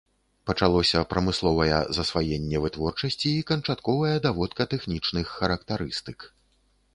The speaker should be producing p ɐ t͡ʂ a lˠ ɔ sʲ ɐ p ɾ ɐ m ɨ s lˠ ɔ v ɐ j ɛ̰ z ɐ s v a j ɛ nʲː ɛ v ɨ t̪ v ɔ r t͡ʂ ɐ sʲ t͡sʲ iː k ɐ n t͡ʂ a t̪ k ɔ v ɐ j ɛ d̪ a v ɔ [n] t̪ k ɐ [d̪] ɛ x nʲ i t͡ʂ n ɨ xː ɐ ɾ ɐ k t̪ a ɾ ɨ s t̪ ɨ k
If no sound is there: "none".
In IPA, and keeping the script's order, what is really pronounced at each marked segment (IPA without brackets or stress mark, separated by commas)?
none, t̪